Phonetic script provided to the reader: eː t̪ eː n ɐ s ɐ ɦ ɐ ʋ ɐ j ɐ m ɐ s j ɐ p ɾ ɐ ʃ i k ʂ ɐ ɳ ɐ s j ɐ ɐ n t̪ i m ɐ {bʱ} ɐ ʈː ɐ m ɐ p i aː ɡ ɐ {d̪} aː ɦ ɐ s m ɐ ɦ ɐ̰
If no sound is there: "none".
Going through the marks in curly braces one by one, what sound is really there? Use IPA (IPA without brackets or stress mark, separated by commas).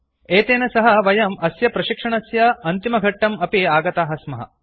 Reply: ɡʱ, t̪